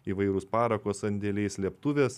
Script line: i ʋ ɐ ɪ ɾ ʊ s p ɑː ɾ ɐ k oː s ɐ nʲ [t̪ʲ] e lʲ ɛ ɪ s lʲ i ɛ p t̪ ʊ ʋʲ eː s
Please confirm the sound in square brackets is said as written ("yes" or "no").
no